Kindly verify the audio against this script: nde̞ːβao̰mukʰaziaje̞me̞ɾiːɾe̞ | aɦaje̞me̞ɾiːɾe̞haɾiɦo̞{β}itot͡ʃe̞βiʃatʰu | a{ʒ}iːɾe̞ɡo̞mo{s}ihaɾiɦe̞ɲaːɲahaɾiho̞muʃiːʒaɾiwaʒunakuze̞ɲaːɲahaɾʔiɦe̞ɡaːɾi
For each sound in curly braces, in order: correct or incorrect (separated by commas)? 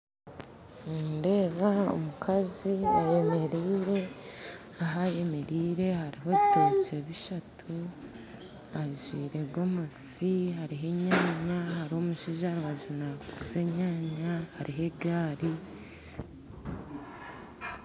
correct, correct, correct